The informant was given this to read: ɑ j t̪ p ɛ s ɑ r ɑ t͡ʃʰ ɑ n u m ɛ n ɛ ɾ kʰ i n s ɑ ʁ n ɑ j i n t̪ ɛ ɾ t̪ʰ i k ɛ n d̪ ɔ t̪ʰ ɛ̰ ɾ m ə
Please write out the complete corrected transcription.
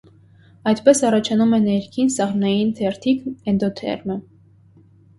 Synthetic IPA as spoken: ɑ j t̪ p ɛ s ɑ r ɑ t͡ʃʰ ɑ n u m ɛ n ɛ ɾ kʰ i n s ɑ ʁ n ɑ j i n t̪ʰ ɛ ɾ t̪ʰ i k ɛ n d̪ ɔ t̪ʰ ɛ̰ ɾ m ə